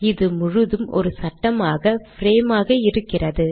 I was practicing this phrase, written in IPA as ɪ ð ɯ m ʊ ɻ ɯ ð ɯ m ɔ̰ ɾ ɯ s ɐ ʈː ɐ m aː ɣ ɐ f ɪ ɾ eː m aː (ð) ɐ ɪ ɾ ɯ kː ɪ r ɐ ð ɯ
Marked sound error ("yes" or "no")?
yes